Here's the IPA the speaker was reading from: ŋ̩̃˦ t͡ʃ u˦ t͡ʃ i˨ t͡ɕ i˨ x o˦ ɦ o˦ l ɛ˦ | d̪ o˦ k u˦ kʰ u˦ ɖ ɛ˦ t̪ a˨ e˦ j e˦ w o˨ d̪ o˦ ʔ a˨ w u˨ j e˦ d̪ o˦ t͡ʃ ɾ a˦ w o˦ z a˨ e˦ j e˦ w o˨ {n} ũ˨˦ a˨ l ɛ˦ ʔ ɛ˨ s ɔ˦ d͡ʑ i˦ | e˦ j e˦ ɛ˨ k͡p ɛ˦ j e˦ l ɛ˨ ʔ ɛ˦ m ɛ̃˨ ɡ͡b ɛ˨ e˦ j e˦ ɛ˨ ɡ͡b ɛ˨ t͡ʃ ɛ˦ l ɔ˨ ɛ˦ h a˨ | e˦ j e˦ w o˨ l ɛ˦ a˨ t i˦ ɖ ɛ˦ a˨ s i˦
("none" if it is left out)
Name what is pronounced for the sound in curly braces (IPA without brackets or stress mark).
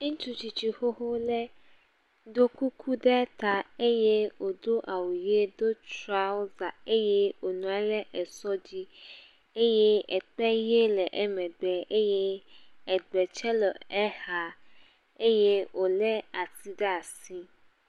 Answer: n